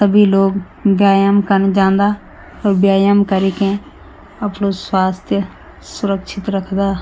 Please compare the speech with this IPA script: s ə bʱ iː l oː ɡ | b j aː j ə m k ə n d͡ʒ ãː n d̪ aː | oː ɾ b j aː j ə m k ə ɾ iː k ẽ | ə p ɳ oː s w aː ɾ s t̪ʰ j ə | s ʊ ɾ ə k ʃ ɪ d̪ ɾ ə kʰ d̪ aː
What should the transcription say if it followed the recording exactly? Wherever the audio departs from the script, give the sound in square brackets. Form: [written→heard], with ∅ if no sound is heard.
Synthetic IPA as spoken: s ə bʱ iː l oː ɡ | b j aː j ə m k ə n d͡ʒ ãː n d̪ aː | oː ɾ b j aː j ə m k ə ɾ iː k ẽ | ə p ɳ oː s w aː [ɾ→∅] s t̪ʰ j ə | s ʊ ɾ ə k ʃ ɪ [d̪→t̪] ɾ ə kʰ d̪ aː